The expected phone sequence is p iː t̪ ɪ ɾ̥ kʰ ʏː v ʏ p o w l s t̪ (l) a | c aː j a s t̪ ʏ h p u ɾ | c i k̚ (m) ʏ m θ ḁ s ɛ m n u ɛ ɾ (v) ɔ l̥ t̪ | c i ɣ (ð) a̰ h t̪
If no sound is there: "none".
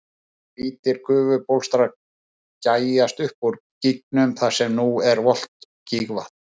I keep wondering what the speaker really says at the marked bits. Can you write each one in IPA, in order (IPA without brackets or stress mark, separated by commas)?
ɾ, n, v, v